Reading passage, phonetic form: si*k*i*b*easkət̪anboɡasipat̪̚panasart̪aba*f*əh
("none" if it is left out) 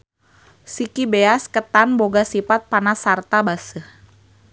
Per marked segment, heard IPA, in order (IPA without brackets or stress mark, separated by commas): k, b, s